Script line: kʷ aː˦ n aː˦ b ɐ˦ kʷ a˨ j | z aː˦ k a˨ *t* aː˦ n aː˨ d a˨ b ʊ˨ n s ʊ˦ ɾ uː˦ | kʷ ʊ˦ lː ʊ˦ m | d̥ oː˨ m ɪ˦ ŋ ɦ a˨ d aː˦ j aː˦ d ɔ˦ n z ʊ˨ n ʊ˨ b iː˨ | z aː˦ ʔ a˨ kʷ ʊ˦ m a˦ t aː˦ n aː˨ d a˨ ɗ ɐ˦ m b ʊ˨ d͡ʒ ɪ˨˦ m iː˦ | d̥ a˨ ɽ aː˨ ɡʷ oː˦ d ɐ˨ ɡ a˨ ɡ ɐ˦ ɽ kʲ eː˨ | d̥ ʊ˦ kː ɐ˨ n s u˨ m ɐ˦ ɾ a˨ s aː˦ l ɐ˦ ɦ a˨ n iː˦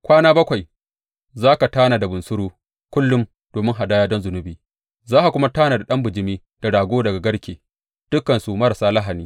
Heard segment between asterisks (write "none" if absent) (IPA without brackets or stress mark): t